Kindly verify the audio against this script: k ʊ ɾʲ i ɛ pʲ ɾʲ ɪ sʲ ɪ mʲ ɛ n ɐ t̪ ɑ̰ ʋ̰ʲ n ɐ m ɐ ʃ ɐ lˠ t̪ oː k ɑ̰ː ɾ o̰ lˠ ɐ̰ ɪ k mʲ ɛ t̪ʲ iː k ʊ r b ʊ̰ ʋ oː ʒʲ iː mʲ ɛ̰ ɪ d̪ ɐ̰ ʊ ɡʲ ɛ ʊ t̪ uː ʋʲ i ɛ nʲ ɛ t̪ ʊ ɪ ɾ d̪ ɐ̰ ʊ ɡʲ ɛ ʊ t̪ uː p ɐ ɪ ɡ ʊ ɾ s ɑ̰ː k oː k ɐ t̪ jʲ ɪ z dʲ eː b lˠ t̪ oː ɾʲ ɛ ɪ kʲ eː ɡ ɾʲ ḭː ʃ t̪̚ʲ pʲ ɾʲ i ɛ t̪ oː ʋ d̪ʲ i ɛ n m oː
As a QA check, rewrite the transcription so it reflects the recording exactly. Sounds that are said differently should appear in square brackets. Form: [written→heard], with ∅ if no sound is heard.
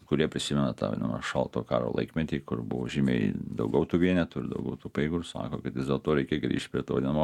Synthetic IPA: k ʊ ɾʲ i ɛ pʲ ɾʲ ɪ sʲ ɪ mʲ ɛ n ɐ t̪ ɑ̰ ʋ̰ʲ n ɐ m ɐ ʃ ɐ lˠ t̪ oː k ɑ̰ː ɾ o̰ lˠ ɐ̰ ɪ k mʲ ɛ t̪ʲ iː k ʊ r b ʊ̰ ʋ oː ʒʲ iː mʲ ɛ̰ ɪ d̪ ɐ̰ ʊ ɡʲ ɛ ʊ t̪ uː ʋʲ i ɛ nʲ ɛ t̪ ʊ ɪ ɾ d̪ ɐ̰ ʊ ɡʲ ɛ ʊ t̪ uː p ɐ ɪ ɡ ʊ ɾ s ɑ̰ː k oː k ɐ t̪ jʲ ɪ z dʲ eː [b→∅] lˠ t̪ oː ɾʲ ɛ ɪ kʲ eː ɡ ɾʲ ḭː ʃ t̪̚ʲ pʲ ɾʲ i ɛ t̪ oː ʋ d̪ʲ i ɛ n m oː